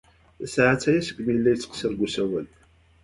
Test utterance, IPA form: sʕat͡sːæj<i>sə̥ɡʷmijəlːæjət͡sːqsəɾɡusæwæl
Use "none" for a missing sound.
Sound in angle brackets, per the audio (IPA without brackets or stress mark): æ